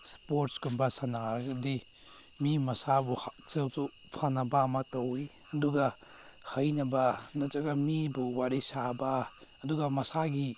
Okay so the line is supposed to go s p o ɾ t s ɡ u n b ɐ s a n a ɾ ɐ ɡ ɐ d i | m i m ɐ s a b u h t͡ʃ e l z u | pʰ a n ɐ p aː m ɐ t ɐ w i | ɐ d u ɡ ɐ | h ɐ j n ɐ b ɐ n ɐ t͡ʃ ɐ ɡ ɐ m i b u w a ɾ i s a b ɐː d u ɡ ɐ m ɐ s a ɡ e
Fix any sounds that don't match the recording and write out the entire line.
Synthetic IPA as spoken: s p o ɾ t s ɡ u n b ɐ s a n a ɾ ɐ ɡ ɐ d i | m i m ɐ s a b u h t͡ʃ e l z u | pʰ a n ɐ b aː m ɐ t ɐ w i | ɐ d u ɡ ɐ | h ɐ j n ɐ b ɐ n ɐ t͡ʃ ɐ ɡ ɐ m i b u w a ɾ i s a b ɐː d u ɡ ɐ m ɐ s a ɡ i